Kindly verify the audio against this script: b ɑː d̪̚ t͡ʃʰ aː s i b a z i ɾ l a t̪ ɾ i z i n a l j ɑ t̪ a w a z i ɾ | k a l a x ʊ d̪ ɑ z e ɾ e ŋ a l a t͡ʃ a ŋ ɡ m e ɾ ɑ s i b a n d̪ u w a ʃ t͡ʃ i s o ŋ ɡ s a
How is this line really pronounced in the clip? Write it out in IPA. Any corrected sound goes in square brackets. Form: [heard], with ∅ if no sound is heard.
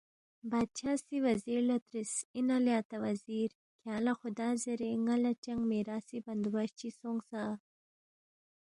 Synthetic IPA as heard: b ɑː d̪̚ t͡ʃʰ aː s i [w] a z i ɾ l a t̪ ɾ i [s] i n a l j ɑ t̪ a w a z i ɾ | k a l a x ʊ d̪ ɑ z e ɾ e ŋ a l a t͡ʃ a ŋ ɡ m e ɾ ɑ s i b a n d̪ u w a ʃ t͡ʃ i s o ŋ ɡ s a